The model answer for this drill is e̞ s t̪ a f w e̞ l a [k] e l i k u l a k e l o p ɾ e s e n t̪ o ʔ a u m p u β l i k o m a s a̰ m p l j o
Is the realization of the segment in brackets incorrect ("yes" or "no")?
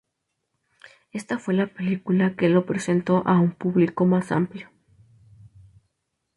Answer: yes